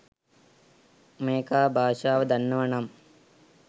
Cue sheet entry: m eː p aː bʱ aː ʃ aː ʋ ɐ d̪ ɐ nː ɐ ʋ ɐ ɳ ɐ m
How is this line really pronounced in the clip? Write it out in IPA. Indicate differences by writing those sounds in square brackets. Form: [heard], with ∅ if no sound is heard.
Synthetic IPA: m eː [k] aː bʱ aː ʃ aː ʋ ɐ d̪ ɐ nː ɐ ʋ ɐ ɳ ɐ m